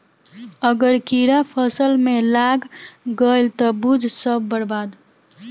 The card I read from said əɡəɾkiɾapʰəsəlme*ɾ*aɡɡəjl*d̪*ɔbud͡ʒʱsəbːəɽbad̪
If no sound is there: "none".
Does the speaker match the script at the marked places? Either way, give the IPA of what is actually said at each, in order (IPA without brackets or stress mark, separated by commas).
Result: l, t̪